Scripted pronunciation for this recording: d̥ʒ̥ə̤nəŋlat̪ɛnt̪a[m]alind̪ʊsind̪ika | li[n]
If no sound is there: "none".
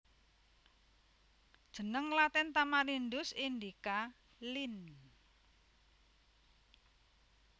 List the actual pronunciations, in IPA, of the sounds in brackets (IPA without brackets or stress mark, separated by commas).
m, n